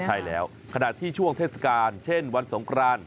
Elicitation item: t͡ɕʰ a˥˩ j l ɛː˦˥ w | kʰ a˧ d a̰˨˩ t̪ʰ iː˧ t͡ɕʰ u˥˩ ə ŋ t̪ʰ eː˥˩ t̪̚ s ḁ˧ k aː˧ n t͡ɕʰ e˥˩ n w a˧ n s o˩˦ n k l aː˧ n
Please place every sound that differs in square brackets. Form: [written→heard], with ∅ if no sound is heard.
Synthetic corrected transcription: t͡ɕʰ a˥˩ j l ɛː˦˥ w | kʰ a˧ [d→n] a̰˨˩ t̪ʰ [iː˧→iː˥˩] t͡ɕʰ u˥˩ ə ŋ t̪ʰ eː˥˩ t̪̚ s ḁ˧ k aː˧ n t͡ɕʰ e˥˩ n w a˧ n s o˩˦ [n→ŋ] k [l→ɾ] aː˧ n